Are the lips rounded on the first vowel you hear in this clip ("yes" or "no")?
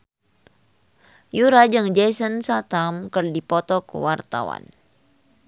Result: yes